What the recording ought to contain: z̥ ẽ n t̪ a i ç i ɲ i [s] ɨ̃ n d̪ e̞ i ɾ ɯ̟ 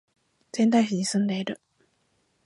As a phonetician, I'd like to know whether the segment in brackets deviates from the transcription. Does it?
no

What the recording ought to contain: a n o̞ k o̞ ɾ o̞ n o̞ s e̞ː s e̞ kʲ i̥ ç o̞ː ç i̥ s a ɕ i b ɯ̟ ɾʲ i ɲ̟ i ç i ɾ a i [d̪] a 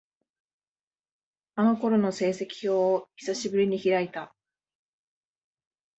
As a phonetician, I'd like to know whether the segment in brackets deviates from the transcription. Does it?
yes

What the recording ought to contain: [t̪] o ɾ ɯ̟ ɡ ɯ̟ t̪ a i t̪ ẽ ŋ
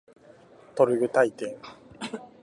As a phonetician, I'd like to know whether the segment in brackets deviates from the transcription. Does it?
no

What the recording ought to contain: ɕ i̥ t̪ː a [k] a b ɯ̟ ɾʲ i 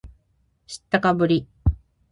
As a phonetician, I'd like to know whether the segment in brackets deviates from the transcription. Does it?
no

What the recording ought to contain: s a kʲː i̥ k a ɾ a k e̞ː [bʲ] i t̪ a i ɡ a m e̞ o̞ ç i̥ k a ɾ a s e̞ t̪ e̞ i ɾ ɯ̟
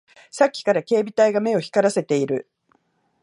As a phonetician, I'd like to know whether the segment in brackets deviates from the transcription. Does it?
no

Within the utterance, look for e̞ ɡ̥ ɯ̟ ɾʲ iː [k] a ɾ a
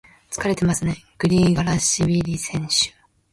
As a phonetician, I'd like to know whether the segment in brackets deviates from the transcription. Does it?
yes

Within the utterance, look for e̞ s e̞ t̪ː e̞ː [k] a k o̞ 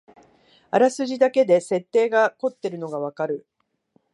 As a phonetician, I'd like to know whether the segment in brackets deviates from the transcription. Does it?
yes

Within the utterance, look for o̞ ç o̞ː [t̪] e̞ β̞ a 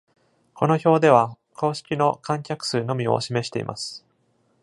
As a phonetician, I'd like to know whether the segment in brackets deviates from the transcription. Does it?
yes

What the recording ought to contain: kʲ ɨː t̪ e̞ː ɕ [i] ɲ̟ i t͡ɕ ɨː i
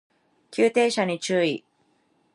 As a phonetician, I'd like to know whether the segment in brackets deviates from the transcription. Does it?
yes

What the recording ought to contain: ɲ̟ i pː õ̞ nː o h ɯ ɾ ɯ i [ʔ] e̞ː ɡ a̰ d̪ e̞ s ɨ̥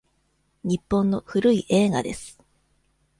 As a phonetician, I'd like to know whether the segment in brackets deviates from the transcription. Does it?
no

